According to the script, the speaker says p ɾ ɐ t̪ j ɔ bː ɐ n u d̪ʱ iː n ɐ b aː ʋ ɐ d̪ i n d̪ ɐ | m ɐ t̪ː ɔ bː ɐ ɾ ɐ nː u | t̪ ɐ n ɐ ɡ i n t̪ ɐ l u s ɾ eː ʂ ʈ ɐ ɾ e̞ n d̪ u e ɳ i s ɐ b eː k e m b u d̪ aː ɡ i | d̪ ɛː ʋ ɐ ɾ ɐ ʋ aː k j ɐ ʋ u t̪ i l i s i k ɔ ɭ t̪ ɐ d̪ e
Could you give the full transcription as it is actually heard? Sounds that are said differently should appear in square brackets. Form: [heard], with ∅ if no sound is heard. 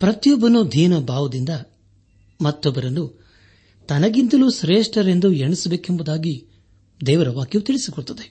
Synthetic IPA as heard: p ɾ ɐ t̪ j ɔ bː ɐ n u d̪ʱ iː n ɐ b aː ʋ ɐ d̪ i n d̪ ɐ | m ɐ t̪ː ɔ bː ɐ ɾ ɐ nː u | t̪ ɐ n ɐ ɡ i n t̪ ɐ l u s ɾ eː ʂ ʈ ɐ ɾ e̞ n d̪ u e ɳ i s ɐ b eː k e m b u d̪ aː ɡ i | d̪ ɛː ʋ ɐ ɾ ɐ ʋ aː k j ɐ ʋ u t̪ i [ɭ] i s i k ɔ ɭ t̪ ɐ d̪ e